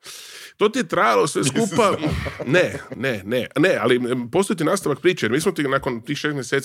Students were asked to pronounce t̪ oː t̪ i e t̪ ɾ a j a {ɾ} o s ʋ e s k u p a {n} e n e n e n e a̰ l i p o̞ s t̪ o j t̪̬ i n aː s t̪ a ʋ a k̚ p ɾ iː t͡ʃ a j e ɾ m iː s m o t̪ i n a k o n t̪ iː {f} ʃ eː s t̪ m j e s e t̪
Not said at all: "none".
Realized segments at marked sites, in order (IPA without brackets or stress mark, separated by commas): l, n, x